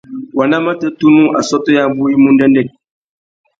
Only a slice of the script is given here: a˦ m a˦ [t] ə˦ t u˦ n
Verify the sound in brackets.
correct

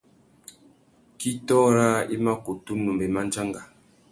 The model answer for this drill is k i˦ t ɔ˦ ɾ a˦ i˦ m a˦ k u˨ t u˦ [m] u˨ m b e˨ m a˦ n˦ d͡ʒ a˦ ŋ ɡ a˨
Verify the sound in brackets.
incorrect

